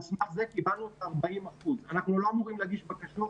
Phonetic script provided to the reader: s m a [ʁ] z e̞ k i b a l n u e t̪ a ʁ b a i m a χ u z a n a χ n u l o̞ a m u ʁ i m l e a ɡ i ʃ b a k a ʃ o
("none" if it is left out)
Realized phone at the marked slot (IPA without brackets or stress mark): χ